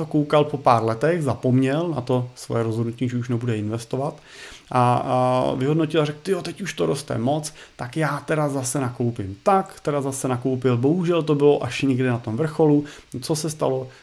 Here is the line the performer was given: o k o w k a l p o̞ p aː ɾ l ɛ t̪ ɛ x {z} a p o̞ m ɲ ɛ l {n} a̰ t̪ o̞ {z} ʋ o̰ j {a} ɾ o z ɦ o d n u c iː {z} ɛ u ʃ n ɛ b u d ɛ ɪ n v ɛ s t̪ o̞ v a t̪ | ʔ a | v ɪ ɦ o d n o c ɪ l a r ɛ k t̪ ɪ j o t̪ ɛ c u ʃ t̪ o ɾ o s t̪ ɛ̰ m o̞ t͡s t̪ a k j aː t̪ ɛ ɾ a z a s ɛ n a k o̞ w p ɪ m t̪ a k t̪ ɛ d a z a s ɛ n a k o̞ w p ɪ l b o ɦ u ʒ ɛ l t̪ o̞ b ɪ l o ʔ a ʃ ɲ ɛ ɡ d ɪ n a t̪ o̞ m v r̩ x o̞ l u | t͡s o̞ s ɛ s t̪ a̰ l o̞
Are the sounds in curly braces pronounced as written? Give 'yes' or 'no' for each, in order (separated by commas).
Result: yes, yes, no, no, no